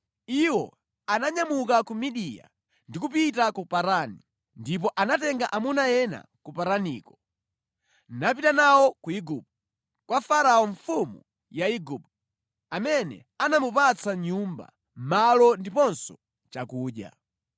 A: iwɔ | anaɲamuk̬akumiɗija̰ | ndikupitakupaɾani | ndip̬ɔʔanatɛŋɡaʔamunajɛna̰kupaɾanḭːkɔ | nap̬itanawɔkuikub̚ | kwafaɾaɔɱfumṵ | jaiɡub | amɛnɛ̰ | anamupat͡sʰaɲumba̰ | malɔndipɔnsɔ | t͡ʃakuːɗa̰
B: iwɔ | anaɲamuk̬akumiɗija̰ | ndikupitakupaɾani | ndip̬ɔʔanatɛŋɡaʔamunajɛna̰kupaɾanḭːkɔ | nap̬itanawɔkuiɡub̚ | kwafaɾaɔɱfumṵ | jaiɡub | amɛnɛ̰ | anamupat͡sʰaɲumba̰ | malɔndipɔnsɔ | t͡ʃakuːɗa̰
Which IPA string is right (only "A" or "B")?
B